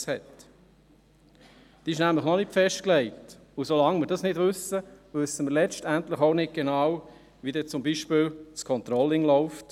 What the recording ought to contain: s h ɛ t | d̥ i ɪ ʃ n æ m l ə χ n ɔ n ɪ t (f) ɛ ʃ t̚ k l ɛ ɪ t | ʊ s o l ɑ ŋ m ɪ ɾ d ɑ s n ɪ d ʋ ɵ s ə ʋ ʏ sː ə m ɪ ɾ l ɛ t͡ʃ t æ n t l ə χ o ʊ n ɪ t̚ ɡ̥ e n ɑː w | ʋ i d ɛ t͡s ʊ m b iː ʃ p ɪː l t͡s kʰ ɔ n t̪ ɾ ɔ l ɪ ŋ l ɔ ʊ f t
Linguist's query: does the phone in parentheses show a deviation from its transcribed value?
no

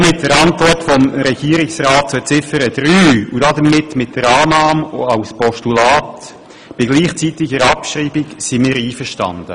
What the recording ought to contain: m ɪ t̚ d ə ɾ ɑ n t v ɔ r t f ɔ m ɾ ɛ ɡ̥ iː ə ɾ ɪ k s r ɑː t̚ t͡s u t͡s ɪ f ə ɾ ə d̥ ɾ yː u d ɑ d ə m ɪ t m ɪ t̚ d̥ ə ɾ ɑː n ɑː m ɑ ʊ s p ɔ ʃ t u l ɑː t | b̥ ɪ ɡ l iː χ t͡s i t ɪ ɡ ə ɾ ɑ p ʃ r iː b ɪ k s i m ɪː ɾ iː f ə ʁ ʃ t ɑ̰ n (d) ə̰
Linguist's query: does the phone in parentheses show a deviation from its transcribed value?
no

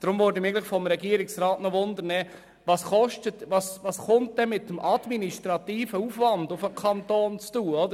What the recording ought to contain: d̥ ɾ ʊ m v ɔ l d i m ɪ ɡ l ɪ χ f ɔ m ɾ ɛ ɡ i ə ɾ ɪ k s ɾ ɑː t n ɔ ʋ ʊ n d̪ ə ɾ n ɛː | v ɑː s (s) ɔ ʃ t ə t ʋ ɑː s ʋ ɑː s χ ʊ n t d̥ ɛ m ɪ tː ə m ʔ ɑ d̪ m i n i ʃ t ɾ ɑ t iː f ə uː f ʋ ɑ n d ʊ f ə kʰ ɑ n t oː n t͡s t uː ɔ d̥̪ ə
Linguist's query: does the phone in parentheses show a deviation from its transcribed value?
yes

